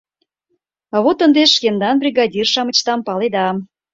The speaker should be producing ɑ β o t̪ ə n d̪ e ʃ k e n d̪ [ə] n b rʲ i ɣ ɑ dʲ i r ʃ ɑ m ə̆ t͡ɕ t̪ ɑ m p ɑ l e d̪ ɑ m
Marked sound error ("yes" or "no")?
yes